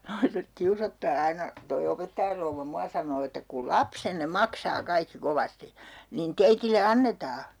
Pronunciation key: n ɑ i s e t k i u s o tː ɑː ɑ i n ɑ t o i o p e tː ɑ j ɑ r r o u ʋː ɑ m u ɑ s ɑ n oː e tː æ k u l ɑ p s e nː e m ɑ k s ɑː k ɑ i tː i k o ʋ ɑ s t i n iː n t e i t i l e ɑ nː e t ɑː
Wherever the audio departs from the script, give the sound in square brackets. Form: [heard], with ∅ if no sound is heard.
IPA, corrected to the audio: n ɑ i s e t k i u s o tː ɑː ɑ i n ɑ t o i o p e tː ɑ j ɑ r r o u ʋː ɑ m u ɑ s ɑ n oː e tː æ k u l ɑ p s e nː e m ɑ k s ɑː k ɑ i [kː] i k o ʋ ɑ s t i n iː n t e i t i l e ɑ nː e t ɑː